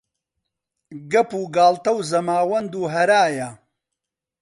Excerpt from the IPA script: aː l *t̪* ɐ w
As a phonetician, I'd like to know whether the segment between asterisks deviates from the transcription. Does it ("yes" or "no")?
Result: no